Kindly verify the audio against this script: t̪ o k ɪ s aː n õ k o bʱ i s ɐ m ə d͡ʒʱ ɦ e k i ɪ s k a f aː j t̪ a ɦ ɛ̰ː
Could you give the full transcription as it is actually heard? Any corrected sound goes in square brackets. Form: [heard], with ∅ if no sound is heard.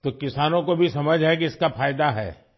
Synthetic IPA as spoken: t̪ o k ɪ s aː n õ k o bʱ i s ɐ m ə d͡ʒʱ ɦ [ɛ] k i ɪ s k a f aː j [d̪] a ɦ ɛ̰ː